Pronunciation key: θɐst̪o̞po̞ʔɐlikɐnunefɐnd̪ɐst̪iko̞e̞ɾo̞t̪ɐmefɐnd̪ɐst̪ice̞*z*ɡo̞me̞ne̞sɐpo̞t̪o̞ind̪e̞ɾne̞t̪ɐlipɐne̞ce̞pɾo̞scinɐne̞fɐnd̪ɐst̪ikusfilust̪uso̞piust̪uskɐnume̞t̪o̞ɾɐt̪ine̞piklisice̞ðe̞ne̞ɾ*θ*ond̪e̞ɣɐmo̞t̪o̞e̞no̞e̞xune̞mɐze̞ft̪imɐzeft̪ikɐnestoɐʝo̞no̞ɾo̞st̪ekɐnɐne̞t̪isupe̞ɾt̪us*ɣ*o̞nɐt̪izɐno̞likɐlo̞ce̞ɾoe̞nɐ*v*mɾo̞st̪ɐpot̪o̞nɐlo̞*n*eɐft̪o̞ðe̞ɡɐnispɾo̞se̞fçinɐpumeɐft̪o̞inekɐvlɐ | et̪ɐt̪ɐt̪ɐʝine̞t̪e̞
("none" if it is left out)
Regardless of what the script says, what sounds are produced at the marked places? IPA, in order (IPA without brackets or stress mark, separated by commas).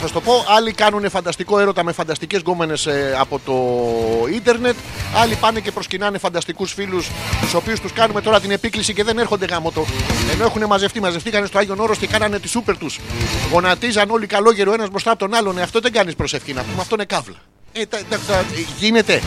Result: z, x, ɣ, z, n